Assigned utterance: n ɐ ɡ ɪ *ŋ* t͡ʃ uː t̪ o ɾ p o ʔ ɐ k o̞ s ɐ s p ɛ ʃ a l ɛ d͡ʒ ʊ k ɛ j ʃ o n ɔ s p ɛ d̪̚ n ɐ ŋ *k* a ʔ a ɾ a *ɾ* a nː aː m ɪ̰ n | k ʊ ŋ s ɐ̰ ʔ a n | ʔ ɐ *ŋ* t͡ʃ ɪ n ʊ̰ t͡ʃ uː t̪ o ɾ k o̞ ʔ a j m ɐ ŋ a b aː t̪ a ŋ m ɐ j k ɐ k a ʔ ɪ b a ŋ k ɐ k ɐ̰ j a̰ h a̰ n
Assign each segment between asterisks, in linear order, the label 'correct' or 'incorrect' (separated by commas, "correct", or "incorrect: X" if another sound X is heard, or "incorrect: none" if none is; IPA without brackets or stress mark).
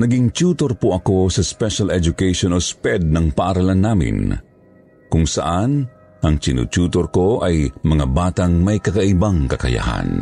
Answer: correct, incorrect: p, incorrect: l, correct